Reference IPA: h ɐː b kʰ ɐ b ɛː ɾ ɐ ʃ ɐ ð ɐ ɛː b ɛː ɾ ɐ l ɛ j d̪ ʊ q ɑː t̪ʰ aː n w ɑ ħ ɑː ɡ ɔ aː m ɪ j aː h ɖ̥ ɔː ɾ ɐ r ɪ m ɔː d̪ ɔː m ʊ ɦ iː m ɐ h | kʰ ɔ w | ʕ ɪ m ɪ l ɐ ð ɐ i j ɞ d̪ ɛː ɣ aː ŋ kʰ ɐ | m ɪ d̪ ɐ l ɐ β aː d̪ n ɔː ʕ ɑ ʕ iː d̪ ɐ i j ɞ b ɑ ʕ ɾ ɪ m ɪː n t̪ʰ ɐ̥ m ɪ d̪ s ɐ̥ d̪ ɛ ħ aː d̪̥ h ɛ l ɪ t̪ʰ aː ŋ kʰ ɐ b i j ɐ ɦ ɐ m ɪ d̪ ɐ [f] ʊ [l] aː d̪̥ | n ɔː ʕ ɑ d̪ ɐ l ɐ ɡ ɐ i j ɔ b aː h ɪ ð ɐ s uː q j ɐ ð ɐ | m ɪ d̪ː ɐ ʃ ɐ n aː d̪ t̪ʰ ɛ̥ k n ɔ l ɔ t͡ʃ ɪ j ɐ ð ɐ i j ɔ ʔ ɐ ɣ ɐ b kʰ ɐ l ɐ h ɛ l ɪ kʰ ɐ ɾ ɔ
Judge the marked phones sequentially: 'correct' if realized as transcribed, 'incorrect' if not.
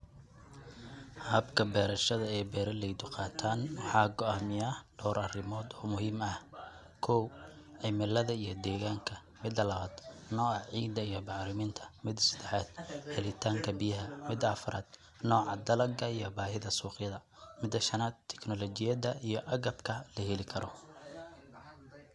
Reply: correct, incorrect

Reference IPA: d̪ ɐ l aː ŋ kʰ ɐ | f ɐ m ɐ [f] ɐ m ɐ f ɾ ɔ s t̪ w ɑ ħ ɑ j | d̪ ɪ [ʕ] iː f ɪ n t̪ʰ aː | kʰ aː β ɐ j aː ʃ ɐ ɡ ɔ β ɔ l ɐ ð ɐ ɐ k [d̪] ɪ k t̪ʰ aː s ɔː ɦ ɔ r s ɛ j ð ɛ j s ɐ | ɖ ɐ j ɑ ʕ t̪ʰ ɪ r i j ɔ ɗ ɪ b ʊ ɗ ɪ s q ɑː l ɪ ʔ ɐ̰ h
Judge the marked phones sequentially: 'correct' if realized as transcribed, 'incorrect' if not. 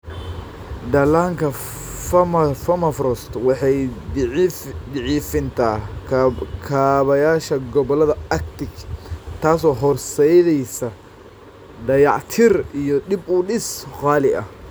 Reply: correct, correct, incorrect

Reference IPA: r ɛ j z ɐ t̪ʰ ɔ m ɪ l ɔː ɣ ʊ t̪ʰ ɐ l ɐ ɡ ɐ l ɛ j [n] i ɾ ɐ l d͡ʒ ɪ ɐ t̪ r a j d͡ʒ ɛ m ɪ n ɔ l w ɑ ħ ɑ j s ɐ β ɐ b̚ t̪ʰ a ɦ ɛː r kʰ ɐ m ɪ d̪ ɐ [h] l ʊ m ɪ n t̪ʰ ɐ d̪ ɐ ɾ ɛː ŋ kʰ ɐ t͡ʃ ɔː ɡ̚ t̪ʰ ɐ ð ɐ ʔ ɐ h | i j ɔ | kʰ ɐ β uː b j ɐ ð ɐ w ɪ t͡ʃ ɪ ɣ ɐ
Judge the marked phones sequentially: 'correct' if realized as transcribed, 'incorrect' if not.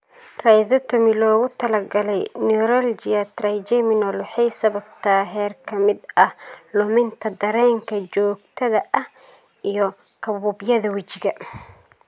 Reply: correct, correct

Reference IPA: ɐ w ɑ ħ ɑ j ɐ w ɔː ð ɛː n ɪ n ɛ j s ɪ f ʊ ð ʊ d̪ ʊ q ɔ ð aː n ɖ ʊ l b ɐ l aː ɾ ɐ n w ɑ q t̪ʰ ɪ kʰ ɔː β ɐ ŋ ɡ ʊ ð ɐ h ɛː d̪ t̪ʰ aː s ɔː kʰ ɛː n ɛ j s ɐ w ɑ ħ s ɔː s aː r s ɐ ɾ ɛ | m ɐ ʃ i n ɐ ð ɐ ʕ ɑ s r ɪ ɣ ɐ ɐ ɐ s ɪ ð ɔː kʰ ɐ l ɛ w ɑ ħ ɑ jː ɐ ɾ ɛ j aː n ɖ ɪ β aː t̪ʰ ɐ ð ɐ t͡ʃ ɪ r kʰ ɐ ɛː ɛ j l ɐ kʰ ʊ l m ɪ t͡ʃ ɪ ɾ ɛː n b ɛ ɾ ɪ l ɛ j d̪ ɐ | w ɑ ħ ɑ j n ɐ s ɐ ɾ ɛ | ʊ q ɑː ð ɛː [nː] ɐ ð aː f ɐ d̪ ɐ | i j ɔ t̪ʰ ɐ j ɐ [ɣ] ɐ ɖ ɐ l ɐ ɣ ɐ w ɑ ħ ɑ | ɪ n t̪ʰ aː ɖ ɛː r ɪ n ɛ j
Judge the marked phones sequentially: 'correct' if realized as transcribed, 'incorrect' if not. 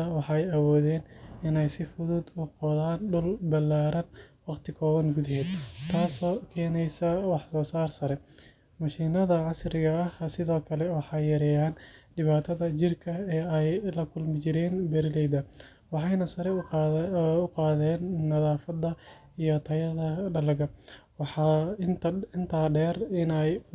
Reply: correct, incorrect

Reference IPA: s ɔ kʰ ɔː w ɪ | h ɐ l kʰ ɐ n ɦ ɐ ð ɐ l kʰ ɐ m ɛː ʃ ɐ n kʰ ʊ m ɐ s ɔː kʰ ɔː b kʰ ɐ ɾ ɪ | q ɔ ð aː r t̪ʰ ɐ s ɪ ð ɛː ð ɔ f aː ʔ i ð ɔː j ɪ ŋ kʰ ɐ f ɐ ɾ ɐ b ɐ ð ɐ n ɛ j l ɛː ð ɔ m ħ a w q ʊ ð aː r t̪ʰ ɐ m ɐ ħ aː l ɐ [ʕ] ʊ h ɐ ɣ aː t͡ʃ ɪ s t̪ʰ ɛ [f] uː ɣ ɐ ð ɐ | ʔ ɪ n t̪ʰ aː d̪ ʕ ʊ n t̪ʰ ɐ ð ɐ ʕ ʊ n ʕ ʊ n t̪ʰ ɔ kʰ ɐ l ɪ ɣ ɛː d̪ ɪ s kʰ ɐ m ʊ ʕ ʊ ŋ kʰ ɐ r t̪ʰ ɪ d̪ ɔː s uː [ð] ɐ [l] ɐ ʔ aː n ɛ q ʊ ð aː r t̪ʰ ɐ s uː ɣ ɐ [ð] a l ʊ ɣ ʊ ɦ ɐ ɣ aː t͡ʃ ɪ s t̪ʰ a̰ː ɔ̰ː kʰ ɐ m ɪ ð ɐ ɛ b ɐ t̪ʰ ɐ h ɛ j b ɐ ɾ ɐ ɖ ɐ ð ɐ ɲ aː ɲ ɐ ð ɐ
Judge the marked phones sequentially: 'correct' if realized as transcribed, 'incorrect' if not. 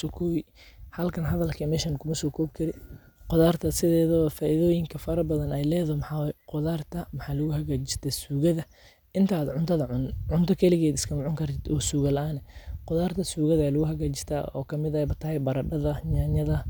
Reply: incorrect, incorrect, incorrect, correct, correct

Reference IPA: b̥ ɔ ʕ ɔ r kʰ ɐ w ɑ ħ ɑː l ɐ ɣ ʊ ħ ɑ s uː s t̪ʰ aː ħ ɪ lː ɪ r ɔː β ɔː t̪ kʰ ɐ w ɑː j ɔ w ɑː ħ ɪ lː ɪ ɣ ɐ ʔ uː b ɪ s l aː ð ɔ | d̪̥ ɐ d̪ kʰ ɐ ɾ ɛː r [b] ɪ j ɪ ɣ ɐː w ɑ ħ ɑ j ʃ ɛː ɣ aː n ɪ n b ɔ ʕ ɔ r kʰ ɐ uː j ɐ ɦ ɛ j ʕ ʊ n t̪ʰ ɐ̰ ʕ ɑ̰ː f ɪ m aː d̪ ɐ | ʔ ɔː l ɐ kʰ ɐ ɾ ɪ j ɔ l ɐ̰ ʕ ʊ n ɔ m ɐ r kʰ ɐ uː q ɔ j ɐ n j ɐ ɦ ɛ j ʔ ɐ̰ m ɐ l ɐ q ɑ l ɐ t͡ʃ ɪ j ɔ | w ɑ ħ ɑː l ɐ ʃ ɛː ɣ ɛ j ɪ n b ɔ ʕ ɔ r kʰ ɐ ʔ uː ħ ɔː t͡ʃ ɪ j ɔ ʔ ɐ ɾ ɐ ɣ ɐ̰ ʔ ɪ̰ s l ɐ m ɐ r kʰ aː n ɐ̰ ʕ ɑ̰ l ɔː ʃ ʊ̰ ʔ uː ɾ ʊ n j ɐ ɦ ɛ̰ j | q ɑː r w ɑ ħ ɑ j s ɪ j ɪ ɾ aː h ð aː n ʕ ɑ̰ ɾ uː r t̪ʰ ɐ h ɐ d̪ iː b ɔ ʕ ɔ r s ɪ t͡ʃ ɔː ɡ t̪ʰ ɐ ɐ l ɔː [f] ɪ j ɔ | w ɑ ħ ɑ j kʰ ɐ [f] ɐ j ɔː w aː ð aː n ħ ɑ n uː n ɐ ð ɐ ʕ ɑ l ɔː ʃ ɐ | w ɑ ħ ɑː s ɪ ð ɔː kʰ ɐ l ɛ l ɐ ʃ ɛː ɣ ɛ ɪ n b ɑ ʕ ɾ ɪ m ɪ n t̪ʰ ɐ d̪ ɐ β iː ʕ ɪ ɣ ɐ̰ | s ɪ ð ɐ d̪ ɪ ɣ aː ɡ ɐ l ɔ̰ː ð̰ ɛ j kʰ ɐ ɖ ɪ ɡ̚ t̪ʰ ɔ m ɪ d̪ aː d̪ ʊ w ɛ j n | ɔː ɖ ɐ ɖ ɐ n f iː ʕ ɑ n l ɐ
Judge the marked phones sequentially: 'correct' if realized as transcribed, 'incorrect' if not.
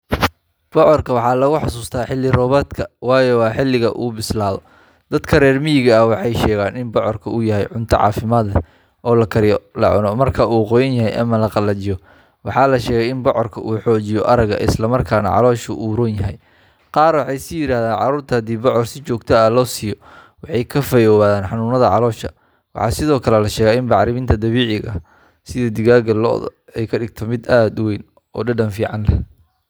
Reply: incorrect, incorrect, correct

